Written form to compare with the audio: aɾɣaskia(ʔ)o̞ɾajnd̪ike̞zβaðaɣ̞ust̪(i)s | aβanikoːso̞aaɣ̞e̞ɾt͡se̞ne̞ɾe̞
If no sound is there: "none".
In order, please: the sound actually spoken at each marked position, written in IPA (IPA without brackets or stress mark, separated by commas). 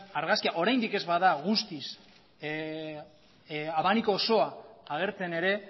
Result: ʔ, i